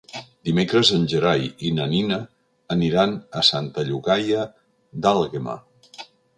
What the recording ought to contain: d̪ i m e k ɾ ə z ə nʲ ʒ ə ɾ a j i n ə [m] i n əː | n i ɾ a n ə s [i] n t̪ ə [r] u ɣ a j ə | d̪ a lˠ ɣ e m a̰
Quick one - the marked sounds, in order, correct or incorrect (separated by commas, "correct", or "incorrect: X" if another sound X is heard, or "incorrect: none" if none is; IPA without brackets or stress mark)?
incorrect: n, incorrect: a, incorrect: ʎ